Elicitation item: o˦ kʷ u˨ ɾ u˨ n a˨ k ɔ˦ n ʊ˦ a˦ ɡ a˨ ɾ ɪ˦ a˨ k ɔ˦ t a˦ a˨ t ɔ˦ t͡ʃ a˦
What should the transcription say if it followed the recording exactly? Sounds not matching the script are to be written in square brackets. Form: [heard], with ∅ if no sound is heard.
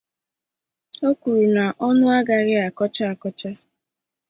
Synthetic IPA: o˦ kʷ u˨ ɾ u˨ n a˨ [ʔ] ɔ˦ n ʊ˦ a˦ ɡ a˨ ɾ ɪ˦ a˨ k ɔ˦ [t͡ʃ] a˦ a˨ [k] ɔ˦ t͡ʃ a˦